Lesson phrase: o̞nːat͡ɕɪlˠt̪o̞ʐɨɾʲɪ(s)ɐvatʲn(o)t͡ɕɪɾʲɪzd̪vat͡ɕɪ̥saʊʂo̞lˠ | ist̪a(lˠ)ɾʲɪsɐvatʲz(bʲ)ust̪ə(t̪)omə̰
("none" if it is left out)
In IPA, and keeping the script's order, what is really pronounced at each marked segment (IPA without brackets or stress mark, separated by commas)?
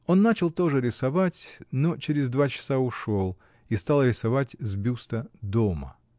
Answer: s, o, lˠ, bʲ, d̪